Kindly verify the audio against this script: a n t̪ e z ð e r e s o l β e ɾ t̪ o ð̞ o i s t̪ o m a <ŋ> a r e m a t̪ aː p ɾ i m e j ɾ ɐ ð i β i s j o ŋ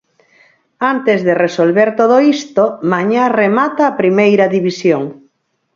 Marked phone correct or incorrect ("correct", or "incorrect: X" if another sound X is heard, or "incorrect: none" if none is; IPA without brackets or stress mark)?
incorrect: ɲ